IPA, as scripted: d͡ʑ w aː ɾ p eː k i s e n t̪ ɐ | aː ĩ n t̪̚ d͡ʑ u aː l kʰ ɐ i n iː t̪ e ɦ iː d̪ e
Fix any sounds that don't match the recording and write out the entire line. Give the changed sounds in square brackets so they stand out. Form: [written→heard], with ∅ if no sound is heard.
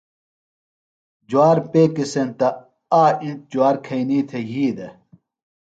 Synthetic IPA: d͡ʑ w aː ɾ p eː k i s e n t̪ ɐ | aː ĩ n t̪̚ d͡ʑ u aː [l→ɾ] kʰ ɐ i n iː [t̪→t̪ʰ] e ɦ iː d̪ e